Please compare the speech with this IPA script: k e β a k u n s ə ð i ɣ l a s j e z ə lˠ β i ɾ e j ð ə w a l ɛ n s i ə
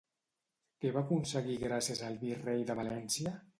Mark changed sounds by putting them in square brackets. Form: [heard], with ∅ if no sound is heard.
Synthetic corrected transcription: k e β a k u n s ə [ɣ] i ɣ [ɾ] a s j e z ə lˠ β i [r] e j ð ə [β] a l ɛ n s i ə